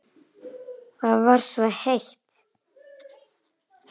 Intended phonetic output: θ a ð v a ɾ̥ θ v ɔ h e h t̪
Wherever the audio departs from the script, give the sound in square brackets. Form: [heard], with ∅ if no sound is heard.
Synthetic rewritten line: θ a ð v a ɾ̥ [s] v ɔ h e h t̪